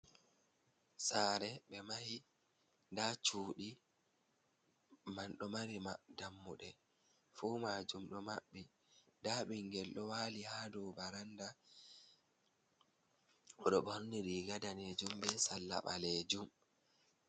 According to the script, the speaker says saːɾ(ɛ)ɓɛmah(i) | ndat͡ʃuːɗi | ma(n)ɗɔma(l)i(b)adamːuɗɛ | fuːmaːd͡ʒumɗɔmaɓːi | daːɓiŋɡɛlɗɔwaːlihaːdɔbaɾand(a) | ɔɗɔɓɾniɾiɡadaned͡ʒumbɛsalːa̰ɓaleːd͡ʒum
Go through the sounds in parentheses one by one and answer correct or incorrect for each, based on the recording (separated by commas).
correct, correct, correct, incorrect, incorrect, correct